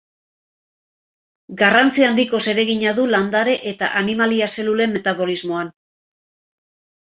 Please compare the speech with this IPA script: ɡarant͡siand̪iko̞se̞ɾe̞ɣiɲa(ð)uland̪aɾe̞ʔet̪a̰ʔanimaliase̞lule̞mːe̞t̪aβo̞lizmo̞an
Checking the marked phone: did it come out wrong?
no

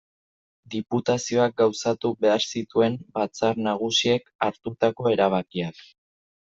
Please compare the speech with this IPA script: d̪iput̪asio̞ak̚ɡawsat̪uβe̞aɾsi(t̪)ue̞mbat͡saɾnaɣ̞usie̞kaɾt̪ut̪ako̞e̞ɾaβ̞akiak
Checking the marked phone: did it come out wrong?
no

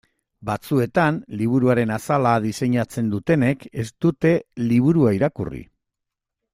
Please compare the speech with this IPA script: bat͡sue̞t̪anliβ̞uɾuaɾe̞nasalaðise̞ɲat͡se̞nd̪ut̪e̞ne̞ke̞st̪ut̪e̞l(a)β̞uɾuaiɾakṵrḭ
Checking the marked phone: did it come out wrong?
yes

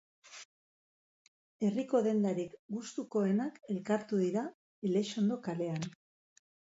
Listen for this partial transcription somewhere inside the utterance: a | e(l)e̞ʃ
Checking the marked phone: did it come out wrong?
no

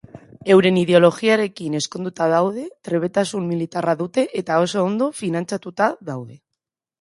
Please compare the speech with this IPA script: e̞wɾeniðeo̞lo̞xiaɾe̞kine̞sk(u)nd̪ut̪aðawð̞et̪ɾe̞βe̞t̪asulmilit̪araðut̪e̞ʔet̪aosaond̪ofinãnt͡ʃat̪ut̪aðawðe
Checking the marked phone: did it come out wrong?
yes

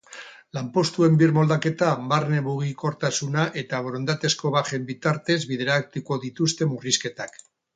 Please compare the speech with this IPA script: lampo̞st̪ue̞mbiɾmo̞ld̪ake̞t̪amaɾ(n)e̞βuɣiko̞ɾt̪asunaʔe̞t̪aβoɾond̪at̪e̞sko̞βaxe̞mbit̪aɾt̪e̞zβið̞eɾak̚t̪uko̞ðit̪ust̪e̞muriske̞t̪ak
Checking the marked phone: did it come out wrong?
no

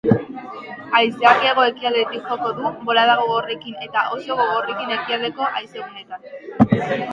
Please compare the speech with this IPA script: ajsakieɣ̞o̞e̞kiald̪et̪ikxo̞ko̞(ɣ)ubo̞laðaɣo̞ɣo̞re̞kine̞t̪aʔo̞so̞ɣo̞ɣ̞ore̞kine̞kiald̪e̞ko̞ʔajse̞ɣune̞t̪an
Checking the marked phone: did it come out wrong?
yes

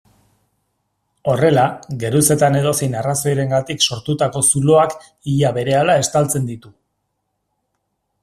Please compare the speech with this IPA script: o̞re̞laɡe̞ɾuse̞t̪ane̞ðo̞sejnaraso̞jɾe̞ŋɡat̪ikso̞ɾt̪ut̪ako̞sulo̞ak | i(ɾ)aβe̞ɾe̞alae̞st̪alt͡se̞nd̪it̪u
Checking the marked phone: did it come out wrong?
yes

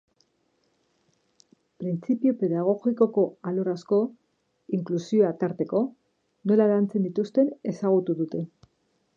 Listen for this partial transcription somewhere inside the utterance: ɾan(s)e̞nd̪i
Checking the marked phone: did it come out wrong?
yes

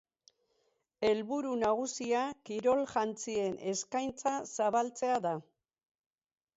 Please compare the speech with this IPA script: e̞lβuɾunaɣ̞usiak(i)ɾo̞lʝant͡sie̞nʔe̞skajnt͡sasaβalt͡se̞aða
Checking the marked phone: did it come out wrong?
no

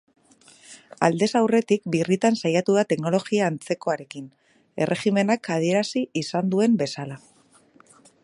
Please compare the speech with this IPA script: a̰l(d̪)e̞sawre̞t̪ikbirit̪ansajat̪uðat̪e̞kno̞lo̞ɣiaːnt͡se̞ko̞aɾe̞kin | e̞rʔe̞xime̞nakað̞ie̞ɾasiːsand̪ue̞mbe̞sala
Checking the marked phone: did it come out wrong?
no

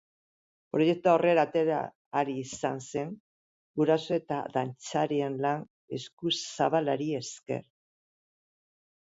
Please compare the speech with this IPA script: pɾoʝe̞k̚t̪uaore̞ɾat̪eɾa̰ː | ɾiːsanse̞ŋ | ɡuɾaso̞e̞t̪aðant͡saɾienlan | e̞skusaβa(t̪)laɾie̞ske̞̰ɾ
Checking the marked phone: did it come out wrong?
yes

